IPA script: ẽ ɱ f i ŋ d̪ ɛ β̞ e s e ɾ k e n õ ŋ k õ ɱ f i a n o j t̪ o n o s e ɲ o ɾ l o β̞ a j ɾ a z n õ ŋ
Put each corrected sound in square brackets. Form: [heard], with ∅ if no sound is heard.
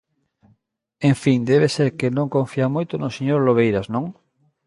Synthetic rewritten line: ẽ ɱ f i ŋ d̪ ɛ β̞ e s e ɾ k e n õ ŋ k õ ɱ f i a [m] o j t̪ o n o s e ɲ o ɾ l o β̞ [e] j ɾ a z n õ ŋ

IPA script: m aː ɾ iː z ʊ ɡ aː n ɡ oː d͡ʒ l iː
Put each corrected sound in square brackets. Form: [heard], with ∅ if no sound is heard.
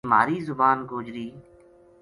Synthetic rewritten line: m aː ɾ iː z ʊ [b] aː n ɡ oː d͡ʒ [ɾ] iː

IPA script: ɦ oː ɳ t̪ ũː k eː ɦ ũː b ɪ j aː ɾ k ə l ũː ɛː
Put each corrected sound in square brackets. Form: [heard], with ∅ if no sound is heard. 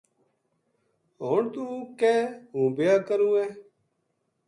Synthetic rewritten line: ɦ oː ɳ t̪ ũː k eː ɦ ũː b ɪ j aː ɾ k ə [ɾ] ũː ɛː

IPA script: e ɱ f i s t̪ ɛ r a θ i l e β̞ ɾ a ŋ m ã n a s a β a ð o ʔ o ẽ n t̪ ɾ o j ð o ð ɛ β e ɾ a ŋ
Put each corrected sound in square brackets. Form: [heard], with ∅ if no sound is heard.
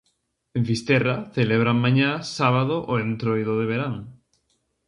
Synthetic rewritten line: e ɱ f i s t̪ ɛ r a θ [e] l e β̞ ɾ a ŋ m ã [ɲ] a s a β a ð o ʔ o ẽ n t̪ ɾ o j ð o ð [e] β e ɾ a ŋ

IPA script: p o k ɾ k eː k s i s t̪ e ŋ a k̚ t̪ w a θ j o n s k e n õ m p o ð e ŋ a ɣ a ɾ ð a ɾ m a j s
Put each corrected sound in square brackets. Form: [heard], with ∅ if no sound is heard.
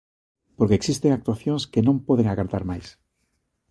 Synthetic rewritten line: p o [∅] ɾ k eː k s i s t̪ e ŋ a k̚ t̪ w a θ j o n s k e n õ m p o ð e ŋ a ɣ a ɾ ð a ɾ m a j s

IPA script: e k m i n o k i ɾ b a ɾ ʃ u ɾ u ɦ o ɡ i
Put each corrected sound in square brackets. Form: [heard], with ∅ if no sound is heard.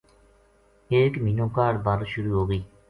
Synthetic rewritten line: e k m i n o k [a] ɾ b a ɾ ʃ u ɾ u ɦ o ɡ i

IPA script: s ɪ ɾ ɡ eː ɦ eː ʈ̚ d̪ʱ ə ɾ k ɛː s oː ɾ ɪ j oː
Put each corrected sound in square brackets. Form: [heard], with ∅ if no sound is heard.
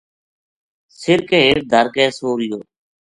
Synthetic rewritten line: s ɪ ɾ [k] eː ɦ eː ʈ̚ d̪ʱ ə ɾ k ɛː s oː ɾ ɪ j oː

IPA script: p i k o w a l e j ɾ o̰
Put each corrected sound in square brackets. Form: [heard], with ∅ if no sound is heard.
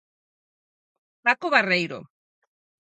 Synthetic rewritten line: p [a] k o [β] a [r] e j ɾ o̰

